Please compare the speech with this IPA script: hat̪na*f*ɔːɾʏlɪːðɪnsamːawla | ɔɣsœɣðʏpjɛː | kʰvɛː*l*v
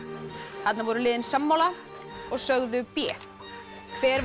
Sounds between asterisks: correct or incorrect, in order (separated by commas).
incorrect, incorrect